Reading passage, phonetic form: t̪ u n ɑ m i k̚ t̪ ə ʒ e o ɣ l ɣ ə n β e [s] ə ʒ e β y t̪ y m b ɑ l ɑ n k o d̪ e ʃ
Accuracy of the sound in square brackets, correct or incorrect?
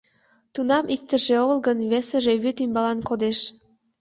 correct